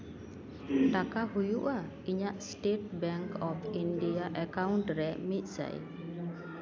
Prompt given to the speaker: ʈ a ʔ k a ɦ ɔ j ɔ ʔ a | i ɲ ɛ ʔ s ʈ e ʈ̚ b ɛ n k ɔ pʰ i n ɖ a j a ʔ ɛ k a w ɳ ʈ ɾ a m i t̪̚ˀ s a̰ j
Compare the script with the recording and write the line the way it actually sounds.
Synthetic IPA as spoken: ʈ a k a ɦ u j u ʔ a | i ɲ a ʔ s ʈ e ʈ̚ b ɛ ŋ k ɔ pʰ i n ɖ i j a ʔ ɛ k a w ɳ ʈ ɾ ɛ m i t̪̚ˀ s a̰ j